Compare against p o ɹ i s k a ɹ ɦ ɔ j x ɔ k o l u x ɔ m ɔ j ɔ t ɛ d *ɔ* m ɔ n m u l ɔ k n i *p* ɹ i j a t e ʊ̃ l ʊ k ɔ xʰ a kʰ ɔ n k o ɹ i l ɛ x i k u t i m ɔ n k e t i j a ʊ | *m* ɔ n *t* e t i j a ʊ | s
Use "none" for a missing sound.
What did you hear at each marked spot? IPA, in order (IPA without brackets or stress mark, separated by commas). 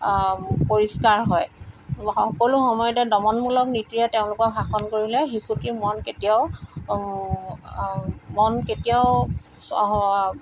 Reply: ɔ, t, m, k